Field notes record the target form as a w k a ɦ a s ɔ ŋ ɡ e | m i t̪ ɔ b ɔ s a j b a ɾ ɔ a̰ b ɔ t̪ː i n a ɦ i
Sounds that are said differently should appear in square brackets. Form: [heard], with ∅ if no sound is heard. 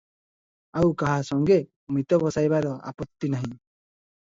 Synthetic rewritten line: a w k a ɦ a s ɔ ŋ ɡ e | m i t̪ ɔ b ɔ s a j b a ɾ ɔ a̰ [p] ɔ t̪ː i n a ɦ [ĩ]